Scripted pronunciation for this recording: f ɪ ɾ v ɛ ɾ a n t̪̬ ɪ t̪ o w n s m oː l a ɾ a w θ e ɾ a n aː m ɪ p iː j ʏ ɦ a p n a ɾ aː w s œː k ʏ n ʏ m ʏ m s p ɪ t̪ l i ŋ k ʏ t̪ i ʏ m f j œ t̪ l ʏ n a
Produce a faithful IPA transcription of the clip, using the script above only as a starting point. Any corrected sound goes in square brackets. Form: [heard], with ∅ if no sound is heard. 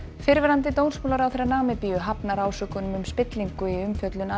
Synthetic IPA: f ɪ ɾ v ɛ ɾ a n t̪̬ ɪ t̪ o w n s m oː l a ɾ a w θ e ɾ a n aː m ɪ p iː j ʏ ɦ a p n a ɾ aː w s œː k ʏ n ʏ m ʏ m s p ɪ t̪ l i ŋ k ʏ [∅] i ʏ m f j œ t̪ l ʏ n a